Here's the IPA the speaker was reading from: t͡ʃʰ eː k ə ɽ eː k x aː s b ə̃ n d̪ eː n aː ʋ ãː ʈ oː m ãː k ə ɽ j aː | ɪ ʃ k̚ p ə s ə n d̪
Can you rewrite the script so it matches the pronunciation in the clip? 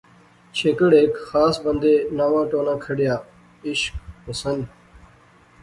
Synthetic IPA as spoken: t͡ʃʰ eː k ə ɽ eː k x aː s b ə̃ n d̪ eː n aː ʋ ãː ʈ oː n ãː kʰ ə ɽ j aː | ɪ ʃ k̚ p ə s ə n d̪